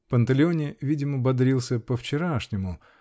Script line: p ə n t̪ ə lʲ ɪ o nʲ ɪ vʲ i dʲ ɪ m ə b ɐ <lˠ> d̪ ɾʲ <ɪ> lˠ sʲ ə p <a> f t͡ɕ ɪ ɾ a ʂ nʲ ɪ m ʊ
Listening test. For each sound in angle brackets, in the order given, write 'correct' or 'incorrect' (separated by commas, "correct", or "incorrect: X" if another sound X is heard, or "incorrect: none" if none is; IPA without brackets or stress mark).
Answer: incorrect: none, incorrect: i, incorrect: ə